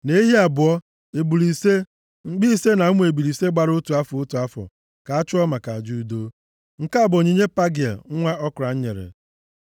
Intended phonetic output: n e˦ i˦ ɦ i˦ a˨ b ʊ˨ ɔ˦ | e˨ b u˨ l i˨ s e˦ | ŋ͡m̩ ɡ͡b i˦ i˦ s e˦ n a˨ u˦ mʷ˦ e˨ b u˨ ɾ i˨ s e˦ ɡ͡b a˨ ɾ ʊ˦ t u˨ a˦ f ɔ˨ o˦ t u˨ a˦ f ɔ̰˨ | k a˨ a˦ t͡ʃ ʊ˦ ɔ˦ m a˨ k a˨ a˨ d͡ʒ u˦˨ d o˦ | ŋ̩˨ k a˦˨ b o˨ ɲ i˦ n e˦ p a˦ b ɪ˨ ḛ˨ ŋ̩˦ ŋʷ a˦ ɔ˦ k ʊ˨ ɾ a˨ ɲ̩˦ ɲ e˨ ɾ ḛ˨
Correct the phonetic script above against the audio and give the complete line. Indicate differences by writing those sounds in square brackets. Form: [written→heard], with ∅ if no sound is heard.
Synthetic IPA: n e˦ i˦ ɦ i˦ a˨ b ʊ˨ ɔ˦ | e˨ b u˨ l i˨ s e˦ | ŋ͡m̩ ɡ͡b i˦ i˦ s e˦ n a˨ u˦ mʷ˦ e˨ b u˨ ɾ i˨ s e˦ ɡ͡b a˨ ɾ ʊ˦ t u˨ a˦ f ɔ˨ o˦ t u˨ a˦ f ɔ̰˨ | k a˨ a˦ t͡ʃ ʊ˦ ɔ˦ m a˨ k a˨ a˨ d͡ʒ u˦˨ d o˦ | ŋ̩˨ k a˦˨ b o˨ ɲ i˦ [n→ɲ] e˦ p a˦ [b→ɡ] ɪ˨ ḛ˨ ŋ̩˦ ŋʷ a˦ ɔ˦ k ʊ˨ ɾ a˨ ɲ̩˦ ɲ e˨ ɾ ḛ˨